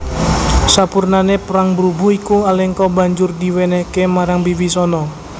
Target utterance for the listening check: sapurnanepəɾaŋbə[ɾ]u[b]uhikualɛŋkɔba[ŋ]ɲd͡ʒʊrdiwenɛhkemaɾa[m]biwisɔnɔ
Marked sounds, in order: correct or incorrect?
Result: correct, correct, incorrect: none, incorrect: ŋ

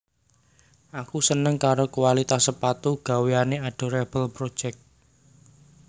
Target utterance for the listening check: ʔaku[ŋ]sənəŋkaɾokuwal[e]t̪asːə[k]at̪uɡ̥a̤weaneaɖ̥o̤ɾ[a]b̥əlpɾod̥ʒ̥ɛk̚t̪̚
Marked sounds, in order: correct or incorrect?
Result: incorrect: none, incorrect: i, incorrect: p, incorrect: ɛ

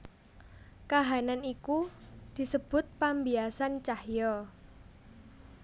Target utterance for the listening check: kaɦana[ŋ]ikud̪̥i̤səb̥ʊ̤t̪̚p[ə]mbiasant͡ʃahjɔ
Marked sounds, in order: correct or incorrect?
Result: incorrect: n, incorrect: a

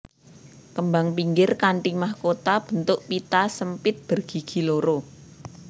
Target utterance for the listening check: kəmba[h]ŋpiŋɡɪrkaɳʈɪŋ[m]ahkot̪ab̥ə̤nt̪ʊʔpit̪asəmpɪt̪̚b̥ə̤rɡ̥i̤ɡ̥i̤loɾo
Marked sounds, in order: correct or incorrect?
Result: incorrect: none, correct

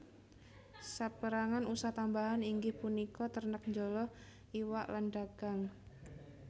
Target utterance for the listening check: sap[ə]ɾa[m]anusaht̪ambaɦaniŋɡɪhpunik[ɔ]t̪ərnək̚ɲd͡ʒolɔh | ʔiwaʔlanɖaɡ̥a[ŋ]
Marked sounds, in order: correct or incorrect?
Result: correct, incorrect: ŋ, correct, correct

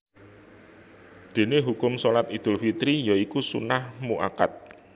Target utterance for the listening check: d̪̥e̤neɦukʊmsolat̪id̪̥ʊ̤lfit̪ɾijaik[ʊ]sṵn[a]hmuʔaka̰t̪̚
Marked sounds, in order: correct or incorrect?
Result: incorrect: u, correct

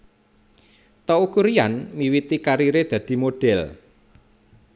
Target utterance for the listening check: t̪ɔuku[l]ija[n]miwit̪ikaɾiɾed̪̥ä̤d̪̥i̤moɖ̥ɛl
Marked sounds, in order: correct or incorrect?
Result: incorrect: ɾ, correct

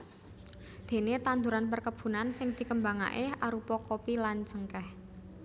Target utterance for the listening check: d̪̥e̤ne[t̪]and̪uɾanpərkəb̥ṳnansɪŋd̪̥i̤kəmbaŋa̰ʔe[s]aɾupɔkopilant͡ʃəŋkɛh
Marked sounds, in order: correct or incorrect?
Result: correct, incorrect: none

